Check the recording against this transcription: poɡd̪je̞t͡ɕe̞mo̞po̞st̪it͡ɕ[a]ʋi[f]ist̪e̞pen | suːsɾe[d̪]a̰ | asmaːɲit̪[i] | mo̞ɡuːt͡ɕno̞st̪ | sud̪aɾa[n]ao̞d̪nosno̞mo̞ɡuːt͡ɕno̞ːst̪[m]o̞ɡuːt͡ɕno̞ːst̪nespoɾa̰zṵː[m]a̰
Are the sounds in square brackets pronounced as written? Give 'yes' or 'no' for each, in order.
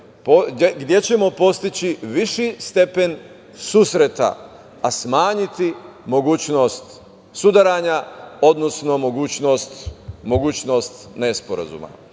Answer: no, no, no, yes, no, yes, yes

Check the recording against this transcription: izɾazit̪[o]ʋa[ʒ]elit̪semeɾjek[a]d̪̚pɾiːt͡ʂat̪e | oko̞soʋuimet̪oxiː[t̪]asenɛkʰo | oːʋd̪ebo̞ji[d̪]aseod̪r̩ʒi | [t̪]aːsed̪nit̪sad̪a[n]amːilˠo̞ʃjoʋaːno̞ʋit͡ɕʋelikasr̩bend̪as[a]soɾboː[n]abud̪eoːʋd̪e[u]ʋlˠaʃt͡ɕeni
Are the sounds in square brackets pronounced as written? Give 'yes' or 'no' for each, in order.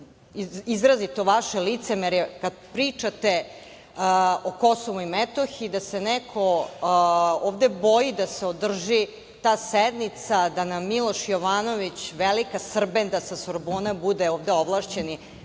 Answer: yes, no, yes, no, yes, yes, yes, yes, yes, no

